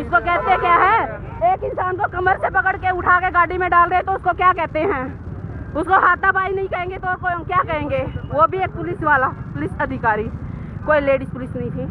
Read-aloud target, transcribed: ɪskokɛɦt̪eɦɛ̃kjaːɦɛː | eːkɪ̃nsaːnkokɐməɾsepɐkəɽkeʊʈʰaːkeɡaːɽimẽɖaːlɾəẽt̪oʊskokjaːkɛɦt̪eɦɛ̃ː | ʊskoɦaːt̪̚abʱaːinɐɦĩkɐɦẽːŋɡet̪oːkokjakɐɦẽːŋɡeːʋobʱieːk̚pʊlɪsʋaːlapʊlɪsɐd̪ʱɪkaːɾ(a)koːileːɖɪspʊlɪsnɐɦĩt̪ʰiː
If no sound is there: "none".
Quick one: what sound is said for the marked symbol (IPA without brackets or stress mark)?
i